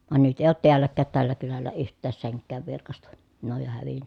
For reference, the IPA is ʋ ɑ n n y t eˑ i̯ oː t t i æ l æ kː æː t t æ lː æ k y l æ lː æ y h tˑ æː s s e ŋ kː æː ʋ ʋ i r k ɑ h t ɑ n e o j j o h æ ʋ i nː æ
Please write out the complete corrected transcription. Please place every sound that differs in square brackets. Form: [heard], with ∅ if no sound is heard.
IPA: ʋ ɑ n n y t eˑ i̯ oː t t i æ [lː] æ kː æː t t æ lː æ k y l æ lː æ y h tˑ æː s s e ŋ kː æː ʋ ʋ i r k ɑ [s] t ɑ n e o j j o h æ ʋ i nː æ

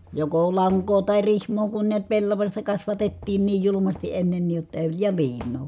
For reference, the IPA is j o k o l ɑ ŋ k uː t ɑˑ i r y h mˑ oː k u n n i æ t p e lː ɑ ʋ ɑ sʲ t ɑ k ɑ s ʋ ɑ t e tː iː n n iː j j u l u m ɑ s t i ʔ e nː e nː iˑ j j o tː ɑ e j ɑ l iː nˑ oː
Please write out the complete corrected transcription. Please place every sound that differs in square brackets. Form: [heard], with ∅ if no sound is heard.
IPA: j o k o l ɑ ŋ k [oː] t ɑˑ i r [i] h mˑ oː k u n n i æ t p e lː ɑ ʋ ɑ sʲ t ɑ k ɑ s ʋ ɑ t e tː iː n n iː j j u l u m ɑ s t i ʔ e nː e nː iˑ j j o tː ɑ e j ɑ l iː nˑ oː

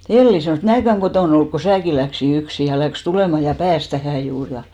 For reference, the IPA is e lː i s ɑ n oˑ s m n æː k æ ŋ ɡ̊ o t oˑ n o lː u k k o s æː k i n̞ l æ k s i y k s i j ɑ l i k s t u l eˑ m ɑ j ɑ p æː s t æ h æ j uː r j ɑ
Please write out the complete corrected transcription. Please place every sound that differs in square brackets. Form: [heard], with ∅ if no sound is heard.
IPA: e lː i s ɑ n oˑ s m n æː k æ ŋ ɡ̊ o t oˑ n o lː u k k o s æː k i n̞ l æ k s i y k s i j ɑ l [æ] k s t u l eˑ m ɑ j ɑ p æː s t æ h æ j uː r j ɑ

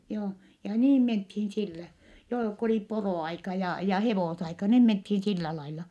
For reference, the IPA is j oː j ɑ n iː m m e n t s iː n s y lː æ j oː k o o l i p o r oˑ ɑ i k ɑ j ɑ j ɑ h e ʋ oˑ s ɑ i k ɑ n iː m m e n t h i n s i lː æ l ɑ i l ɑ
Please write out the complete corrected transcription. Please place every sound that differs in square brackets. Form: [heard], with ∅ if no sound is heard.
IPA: j oː j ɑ n iː m m e n t [h] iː n s [i] lː æ j oː k o o l i p o r oˑ ɑ i k ɑ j ɑ j ɑ h e ʋ oˑ s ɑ i k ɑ n iː m m e n t h i n s i lː æ l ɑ i l ɑ

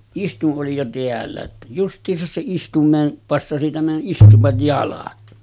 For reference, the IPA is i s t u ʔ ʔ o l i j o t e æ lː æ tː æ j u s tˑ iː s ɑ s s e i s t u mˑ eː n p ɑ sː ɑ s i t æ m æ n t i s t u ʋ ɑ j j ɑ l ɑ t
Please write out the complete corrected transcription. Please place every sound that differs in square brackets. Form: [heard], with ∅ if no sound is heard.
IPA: i s t u ʔ ʔ o l i j o t e æ lː æ tː æ j u s tˑ iː s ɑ s s e i s t u mˑ eː n p ɑ sː ɑ s i t æ m æ n [ʔ] i s t u ʋ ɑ j j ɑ l ɑ t

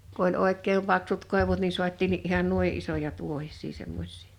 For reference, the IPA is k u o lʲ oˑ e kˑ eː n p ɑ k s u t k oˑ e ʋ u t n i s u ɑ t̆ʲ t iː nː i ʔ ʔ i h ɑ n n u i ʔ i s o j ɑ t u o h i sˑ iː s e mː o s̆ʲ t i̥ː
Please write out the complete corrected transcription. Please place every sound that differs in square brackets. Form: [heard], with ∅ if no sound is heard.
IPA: k u o lʲ oˑ e kˑ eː [m] p ɑ k s u t k oˑ e ʋ u t n i s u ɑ t̆ʲ t iː nː i ʔ ʔ i h ɑ n n u i ʔ i s o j ɑ t u o h i sˑ iː s e mː o s̆ʲ [s] i̥ː

